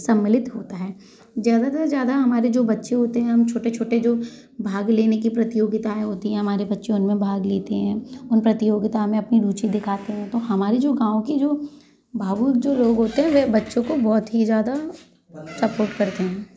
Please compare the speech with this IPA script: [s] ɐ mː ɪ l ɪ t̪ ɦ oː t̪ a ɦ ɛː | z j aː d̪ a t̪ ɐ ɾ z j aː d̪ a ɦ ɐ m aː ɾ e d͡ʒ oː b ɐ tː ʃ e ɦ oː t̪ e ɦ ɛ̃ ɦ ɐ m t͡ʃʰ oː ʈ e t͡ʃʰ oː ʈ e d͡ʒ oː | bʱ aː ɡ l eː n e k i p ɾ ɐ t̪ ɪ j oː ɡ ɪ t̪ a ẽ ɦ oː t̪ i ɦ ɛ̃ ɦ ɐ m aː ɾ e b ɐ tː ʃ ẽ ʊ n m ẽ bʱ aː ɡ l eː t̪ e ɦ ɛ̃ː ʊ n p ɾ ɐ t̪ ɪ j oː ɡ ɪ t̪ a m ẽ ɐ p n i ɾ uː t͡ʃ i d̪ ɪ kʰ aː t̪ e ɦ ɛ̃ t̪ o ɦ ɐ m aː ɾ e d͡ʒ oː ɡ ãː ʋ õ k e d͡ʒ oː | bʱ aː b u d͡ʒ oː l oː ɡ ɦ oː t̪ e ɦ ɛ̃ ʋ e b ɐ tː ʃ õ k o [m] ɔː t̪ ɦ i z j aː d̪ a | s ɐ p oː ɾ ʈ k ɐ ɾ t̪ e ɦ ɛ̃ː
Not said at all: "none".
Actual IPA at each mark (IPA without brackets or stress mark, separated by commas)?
s, b